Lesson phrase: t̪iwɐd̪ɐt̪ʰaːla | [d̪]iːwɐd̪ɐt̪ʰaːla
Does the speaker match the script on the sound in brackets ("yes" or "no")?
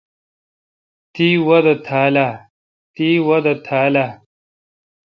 no